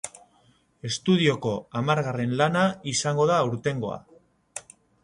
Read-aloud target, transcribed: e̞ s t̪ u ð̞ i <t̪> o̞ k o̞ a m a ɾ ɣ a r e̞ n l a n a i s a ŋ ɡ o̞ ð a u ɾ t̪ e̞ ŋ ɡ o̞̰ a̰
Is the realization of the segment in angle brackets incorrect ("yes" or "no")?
yes